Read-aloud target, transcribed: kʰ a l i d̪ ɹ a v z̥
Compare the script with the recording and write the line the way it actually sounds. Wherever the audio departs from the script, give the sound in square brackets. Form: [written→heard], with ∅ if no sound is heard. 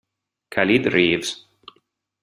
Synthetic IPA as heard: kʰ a l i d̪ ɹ [a→i] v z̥